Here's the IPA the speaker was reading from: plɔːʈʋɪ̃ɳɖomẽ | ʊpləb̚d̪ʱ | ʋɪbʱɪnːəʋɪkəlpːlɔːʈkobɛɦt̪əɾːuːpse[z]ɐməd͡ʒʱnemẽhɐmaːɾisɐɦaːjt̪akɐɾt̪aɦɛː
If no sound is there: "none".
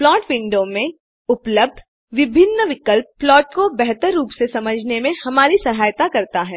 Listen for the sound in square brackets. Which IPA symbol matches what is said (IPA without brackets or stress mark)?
s